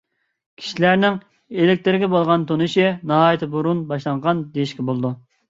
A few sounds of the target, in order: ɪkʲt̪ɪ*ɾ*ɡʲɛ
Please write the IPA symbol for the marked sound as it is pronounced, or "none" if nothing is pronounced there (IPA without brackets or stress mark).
ɾ